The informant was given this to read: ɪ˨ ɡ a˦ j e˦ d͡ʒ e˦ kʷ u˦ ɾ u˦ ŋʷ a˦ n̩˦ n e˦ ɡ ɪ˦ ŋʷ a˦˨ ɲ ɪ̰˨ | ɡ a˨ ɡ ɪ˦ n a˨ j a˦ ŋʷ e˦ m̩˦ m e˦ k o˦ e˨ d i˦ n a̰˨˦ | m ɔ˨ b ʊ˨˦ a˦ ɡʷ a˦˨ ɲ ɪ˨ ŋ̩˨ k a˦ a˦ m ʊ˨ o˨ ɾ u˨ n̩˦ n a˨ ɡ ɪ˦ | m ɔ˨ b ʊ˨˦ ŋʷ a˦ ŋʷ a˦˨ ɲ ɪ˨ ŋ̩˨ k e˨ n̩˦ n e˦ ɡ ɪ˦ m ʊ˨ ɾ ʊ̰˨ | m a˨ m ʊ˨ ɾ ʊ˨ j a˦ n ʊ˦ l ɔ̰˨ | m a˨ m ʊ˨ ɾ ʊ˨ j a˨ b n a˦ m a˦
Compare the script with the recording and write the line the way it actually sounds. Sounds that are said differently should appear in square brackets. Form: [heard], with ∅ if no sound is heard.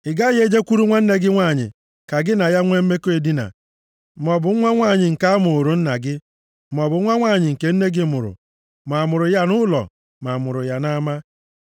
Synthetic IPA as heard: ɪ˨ ɡ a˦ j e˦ d͡ʒ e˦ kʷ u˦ ɾ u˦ ŋʷ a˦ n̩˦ n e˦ ɡ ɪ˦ ŋʷ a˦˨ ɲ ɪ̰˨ | [k] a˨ ɡ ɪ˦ n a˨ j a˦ ŋʷ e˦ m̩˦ m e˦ k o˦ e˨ d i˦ n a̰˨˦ | m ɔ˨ b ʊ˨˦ a˦ [ŋʷ] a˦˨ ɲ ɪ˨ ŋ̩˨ k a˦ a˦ m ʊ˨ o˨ ɾ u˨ n̩˦ n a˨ ɡ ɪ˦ | m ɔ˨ b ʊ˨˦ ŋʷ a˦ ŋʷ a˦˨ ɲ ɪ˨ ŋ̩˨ k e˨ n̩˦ n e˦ ɡ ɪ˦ m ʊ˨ ɾ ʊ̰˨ | m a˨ m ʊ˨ ɾ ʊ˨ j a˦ n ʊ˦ l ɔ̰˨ | m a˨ m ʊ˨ ɾ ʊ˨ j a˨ [∅] n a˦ m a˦